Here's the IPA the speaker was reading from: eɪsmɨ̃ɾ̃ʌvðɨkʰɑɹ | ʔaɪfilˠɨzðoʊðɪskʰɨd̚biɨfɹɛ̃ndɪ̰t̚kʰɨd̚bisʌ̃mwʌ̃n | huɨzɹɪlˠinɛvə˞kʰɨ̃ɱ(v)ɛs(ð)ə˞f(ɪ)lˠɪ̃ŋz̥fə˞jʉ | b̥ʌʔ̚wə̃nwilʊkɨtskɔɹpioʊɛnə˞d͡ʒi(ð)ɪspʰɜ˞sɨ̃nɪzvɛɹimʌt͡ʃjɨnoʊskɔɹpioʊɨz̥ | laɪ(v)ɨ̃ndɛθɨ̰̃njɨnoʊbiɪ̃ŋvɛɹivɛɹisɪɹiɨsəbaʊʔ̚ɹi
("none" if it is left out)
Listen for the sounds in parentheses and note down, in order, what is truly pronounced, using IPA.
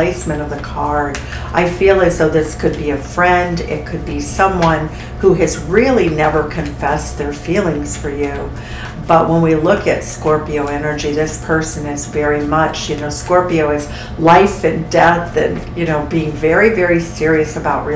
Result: f, ð, i, ð, f

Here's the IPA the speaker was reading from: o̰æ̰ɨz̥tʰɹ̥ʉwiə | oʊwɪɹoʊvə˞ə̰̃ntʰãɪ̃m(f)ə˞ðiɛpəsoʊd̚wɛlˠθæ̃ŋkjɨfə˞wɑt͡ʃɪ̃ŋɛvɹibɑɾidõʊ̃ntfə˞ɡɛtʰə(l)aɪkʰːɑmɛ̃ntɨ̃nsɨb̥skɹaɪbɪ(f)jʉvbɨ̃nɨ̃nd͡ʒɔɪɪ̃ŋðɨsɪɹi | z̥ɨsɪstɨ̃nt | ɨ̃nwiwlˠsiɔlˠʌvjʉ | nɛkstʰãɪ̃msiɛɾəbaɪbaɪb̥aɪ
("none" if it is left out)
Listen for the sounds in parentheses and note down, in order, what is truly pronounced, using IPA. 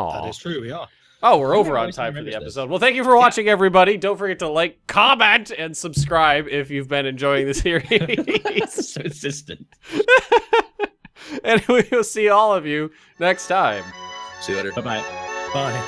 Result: f, l, f

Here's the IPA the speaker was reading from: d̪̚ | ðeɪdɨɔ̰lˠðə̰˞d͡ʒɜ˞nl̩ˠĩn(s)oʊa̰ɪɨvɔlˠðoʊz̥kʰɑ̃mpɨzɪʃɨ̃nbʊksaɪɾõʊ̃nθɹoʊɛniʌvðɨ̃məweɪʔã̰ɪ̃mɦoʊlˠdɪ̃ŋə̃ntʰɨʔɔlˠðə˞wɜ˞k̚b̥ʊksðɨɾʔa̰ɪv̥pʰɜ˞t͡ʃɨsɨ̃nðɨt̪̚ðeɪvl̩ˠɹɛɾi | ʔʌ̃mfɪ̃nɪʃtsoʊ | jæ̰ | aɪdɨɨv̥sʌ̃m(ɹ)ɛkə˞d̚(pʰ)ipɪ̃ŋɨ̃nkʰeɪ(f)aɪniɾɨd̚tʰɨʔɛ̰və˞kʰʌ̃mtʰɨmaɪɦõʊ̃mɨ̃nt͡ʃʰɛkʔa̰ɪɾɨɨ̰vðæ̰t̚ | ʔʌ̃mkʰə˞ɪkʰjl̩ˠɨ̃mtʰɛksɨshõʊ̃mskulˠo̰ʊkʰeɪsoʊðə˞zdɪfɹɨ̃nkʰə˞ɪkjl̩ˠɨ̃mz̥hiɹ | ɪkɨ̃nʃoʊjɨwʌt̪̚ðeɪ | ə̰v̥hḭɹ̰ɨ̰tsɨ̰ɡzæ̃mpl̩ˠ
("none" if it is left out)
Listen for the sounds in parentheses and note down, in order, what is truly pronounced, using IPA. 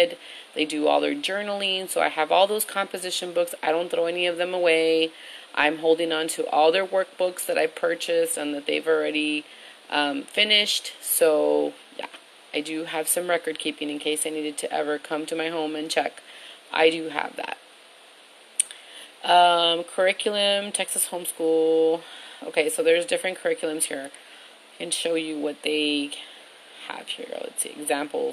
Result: s, ɹ, kʰ, s

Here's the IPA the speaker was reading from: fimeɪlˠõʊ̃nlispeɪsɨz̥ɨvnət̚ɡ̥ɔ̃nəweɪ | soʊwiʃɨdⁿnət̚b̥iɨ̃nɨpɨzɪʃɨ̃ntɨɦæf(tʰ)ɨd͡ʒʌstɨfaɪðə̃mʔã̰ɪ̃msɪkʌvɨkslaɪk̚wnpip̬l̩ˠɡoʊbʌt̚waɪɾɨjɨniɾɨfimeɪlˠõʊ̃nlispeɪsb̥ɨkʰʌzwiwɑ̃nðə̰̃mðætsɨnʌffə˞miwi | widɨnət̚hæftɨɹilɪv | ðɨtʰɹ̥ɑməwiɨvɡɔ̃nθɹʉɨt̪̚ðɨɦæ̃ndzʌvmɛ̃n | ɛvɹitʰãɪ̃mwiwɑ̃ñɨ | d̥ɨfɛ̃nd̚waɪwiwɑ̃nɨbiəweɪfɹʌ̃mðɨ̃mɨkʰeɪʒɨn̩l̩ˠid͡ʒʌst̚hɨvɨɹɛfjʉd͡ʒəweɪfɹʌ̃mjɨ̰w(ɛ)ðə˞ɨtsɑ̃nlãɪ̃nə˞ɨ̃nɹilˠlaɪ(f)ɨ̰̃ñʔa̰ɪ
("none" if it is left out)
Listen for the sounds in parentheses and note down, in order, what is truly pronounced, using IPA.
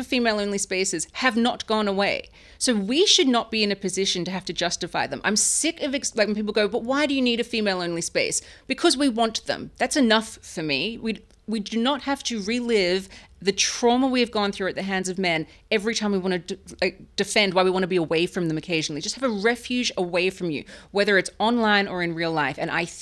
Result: t, ɛ, f

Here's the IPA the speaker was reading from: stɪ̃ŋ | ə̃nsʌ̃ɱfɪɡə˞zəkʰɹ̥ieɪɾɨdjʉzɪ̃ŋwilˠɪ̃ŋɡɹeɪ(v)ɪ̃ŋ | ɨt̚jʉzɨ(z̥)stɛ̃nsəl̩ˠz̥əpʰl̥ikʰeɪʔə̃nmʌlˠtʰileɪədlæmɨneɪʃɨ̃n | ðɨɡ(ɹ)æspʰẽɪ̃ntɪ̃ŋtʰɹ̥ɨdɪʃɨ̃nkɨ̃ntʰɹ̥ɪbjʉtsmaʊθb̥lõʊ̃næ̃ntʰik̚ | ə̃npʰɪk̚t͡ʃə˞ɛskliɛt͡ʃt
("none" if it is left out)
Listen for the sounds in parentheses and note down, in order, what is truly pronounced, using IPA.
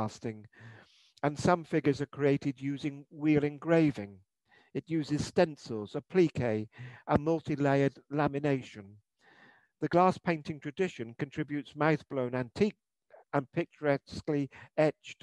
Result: v, z̥, l

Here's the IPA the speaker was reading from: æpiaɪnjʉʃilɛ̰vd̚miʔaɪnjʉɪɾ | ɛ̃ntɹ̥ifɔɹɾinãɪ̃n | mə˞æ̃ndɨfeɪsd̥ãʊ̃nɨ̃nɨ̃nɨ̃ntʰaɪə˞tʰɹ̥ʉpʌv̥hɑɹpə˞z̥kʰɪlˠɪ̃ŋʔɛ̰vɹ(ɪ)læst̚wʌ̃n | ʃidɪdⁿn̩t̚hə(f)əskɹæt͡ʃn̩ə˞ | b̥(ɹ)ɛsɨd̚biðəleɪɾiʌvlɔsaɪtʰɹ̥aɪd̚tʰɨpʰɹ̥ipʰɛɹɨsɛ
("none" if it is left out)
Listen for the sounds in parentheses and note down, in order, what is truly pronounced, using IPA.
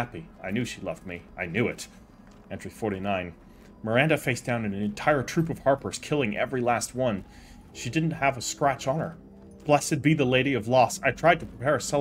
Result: i, v, l

